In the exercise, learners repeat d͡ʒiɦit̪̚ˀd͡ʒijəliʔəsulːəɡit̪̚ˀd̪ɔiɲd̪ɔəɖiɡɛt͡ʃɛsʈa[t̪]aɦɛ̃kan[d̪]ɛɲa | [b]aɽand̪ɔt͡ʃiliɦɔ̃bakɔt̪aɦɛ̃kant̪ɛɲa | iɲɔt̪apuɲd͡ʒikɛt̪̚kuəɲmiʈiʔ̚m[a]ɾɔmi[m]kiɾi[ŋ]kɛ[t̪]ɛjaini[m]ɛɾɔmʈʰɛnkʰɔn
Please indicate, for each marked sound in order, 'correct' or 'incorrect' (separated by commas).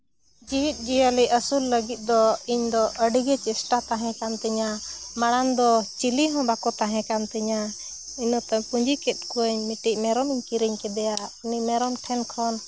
correct, incorrect, incorrect, incorrect, incorrect, incorrect, incorrect, correct